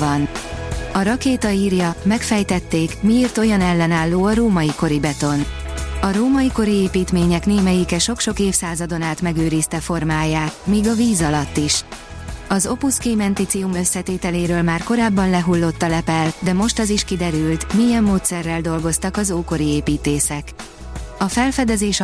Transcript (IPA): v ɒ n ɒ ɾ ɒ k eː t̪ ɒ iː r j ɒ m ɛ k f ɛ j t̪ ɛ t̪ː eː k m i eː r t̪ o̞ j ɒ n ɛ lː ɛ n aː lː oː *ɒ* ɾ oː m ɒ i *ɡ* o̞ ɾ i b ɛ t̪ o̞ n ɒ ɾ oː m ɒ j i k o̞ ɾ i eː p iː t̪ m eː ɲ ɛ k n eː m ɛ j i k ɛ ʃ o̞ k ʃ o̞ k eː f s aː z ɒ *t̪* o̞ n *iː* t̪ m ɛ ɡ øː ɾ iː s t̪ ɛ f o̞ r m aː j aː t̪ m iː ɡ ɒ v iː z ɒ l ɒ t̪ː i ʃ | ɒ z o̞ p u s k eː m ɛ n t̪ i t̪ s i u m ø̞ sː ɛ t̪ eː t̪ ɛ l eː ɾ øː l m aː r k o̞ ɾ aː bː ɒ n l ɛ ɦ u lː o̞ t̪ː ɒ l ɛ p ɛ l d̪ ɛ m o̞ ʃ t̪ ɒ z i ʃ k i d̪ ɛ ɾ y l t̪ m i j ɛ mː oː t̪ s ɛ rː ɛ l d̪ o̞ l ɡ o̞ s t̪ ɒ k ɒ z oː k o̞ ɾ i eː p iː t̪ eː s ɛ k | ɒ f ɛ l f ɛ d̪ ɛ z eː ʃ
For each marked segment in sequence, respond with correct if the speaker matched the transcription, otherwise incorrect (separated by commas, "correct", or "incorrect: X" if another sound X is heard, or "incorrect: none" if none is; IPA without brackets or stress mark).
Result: correct, incorrect: k, incorrect: d̪, incorrect: aː